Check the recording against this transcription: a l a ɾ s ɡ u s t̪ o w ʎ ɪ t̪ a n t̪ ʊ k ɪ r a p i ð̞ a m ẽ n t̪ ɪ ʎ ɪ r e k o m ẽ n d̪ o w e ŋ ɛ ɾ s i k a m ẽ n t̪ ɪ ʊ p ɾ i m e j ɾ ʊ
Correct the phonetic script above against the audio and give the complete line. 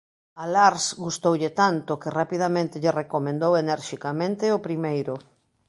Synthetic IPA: a l a ɾ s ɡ u s t̪ o w ʎ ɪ t̪ a n t̪ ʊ k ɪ r a p i ð̞ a m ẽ n t̪ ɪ ʎ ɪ r e k o m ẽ n d̪ o w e n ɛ ɾ ʃ i k a m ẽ n t̪ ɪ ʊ p ɾ i m e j ɾ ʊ